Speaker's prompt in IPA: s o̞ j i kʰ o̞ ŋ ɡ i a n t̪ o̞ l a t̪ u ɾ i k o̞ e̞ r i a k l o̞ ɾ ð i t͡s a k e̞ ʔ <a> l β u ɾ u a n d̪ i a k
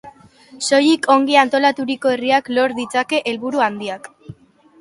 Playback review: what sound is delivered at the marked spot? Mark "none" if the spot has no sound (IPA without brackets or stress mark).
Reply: e